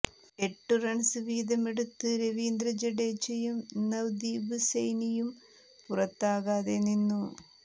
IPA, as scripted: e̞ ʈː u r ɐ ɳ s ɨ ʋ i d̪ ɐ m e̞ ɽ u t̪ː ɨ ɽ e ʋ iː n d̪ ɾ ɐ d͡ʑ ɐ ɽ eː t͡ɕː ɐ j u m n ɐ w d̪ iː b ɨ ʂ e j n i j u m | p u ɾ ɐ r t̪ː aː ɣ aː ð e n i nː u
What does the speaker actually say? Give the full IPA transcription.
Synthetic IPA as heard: e̞ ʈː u r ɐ ɳ s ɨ ʋ iː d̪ ɐ m e̞ ɽ u t̪ː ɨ ɾ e ʋ iː n d̪ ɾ ɐ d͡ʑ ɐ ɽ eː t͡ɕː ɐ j u m n ɐ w d̪ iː b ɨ s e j n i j u m | p u r ɐ t̪ː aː ɣ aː ð e n i nː u